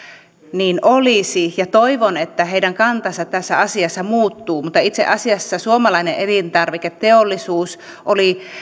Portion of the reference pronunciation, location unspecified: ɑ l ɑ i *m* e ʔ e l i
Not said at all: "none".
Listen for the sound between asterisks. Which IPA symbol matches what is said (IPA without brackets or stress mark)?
n